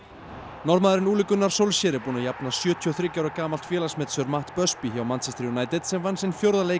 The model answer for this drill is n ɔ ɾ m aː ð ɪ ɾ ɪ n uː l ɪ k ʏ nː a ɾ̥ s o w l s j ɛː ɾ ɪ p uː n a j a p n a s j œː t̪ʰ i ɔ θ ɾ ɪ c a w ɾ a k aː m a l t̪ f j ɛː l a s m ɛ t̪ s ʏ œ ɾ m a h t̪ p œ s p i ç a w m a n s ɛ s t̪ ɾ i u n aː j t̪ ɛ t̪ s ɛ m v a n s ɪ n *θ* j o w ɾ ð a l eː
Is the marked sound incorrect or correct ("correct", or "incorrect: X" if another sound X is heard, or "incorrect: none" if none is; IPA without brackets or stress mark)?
incorrect: f